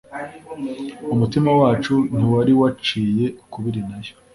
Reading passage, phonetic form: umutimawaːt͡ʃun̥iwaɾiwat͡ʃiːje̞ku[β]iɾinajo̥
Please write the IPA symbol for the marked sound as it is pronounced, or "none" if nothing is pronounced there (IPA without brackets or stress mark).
β